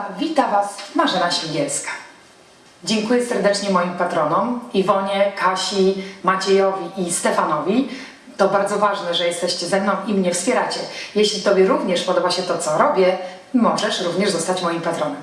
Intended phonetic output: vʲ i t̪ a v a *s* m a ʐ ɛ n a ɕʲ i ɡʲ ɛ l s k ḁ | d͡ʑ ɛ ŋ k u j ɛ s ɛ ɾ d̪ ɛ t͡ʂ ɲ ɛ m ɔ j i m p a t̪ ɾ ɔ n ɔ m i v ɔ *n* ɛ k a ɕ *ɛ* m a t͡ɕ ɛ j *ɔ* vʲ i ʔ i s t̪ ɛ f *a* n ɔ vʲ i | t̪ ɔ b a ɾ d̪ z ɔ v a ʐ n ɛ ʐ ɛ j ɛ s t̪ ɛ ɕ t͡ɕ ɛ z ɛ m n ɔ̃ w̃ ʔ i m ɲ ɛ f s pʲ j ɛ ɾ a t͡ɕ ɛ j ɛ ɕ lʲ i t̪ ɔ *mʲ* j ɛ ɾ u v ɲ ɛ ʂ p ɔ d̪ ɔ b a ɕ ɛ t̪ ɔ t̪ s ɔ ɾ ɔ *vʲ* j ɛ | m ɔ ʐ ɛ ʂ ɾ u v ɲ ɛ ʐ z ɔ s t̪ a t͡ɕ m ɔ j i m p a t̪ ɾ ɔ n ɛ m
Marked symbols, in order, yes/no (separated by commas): yes, no, no, yes, yes, no, no